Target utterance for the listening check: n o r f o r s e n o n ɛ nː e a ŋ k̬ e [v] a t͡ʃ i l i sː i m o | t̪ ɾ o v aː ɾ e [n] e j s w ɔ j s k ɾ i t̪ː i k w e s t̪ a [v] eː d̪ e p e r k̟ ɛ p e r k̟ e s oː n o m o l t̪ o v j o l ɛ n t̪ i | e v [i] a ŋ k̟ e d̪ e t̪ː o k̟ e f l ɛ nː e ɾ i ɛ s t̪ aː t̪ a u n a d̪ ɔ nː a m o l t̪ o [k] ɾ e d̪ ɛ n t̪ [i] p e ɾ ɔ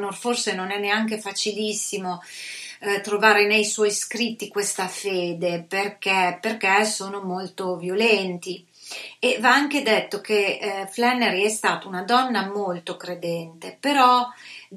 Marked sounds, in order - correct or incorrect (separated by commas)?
incorrect, correct, incorrect, incorrect, correct, incorrect